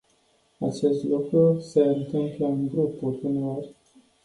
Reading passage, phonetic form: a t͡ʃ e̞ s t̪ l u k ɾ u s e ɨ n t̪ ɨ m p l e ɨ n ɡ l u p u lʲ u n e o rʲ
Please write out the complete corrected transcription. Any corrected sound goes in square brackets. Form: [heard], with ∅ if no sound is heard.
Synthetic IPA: a t͡ʃ e̞ s t̪ l u k ɾ u s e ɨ n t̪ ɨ m p l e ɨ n ɡ [ɾ] u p u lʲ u n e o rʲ